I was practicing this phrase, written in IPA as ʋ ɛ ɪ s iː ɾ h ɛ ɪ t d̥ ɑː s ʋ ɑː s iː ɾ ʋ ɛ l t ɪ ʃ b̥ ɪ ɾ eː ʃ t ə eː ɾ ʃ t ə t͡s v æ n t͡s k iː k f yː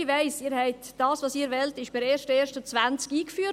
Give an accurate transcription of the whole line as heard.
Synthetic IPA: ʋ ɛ ɪ s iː ɾ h ɛ ɪ t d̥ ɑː s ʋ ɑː s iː ɾ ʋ ɛ l t ɪ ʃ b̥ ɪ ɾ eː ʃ t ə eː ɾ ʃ t ə t͡s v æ n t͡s k iː k f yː